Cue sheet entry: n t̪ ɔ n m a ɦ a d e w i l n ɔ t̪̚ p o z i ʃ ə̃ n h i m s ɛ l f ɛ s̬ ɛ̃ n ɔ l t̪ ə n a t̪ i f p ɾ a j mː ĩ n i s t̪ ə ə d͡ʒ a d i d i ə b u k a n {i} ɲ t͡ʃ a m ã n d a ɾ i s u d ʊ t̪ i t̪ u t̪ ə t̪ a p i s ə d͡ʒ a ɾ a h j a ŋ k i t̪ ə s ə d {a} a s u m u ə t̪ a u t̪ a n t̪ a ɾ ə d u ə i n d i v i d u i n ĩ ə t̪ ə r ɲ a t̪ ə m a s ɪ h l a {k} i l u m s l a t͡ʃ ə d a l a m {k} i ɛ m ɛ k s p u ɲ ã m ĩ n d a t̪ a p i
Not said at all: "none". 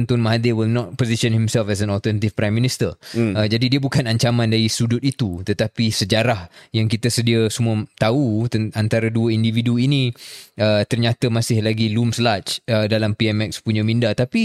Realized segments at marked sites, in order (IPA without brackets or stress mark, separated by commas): a, i, ɡ, p